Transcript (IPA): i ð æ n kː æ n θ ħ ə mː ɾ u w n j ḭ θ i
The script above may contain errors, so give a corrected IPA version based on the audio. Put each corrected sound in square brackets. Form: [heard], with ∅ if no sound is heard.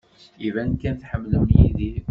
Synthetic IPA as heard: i [v] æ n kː æ n θ ħ ə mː [l] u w n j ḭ [ð] i